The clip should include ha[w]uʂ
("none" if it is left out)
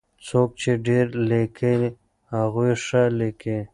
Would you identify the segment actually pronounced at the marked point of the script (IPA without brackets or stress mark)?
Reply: ɣ